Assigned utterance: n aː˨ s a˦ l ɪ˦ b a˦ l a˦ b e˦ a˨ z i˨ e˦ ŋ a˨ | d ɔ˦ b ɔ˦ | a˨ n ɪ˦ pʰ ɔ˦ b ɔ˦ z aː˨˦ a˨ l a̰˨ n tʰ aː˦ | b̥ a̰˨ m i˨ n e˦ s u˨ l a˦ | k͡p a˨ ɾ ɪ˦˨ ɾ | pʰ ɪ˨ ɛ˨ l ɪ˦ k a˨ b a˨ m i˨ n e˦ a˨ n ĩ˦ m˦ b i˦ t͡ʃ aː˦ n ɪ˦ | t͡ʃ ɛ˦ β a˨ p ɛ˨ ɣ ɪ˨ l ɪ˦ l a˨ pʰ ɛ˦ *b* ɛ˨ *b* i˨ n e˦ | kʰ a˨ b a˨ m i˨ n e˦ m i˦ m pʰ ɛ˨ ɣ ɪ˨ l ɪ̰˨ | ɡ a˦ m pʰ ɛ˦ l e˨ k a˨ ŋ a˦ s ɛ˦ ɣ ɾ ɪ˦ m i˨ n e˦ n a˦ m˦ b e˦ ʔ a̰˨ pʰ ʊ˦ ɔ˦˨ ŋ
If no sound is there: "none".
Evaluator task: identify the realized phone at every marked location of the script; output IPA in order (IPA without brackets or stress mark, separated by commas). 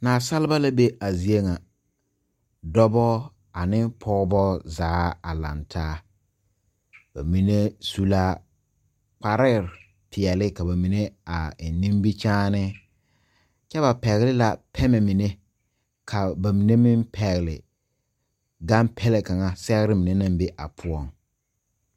m, m